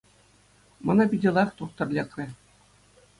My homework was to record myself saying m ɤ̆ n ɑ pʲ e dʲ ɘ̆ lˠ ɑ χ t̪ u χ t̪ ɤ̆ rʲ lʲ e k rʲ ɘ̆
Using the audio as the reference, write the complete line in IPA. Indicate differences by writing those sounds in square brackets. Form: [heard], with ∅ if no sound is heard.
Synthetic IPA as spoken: m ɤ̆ n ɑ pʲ [i] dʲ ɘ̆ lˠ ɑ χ t̪ u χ t̪ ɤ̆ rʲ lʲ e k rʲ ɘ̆